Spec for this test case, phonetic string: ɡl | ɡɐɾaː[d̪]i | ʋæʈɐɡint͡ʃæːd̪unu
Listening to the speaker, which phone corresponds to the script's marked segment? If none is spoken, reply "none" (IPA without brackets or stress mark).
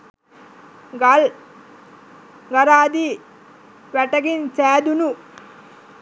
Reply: d̪